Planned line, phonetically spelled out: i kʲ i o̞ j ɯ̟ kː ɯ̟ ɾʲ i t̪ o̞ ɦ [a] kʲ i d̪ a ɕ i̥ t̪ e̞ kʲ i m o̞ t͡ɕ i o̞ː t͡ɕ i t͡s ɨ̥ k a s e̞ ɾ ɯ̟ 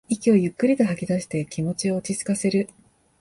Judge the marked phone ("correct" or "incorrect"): correct